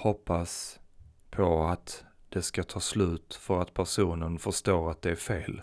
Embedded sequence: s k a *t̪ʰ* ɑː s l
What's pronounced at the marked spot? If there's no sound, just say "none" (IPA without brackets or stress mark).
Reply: t̪ʰ